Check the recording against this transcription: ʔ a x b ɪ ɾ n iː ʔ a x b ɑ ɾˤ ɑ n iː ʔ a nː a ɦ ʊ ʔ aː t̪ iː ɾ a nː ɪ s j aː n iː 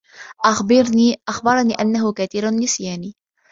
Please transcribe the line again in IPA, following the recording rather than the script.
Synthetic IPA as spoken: ʔ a x b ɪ ɾ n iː ʔ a x b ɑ ɾˤ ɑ n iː ʔ a nː a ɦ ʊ k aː t̪ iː ɾ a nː ɪ s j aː n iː